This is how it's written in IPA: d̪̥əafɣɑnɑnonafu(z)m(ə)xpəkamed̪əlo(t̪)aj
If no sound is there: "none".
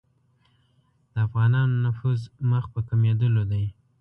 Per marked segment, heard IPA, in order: z, ə, d̪

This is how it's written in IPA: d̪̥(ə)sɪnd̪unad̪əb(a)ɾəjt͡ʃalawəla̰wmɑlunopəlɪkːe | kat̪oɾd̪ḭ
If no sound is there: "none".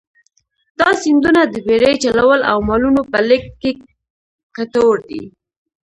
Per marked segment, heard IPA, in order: ɑ, e

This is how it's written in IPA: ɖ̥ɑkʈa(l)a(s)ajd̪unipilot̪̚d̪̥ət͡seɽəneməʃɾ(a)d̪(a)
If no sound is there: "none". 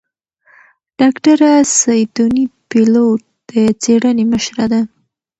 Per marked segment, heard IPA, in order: ɾ, s, a, a

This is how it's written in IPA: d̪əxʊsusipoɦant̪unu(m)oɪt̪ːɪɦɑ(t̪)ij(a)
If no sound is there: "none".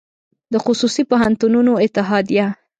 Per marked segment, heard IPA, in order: n, d̪, a

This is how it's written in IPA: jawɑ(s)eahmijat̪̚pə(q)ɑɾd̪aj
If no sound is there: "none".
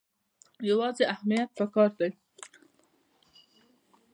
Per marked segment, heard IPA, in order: z, k

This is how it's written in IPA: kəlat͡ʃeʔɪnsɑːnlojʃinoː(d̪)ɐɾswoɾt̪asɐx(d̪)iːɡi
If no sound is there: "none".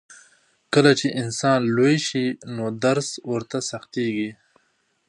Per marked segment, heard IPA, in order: d̪, t̪

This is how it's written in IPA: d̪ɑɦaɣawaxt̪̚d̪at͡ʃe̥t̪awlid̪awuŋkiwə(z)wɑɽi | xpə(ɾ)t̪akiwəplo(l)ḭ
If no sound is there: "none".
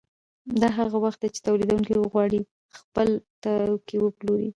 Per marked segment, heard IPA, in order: ɣ, l, ɾ

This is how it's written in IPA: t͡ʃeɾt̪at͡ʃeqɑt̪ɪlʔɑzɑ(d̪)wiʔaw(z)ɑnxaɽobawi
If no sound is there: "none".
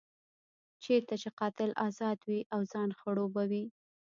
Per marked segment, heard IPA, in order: d̪, z

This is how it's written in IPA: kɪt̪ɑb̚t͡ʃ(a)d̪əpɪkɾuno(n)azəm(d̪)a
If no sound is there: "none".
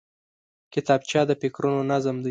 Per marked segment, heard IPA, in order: ɑ, n, d̪

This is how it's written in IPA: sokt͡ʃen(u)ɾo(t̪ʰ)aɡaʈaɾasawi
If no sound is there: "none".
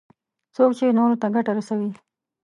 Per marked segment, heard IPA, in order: o, t̪

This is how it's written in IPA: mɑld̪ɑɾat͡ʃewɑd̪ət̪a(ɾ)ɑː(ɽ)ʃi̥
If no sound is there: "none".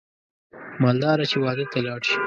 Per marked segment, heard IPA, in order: l, ɽ

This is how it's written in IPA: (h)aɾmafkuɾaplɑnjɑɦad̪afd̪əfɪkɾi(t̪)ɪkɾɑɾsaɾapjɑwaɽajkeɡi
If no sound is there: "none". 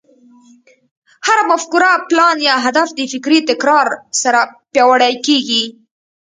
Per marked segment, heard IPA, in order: h, t̪

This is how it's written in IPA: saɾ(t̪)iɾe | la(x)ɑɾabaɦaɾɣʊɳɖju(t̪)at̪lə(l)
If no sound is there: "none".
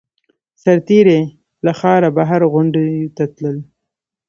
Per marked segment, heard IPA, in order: t̪, x, t̪, l

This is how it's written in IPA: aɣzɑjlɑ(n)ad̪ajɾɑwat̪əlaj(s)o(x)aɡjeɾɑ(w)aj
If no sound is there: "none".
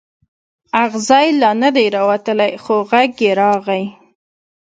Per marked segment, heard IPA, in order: n, x, ɣ, ɣ

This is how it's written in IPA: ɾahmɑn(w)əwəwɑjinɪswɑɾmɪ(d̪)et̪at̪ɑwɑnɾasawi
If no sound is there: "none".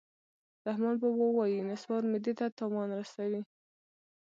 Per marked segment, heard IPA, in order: b, d̪

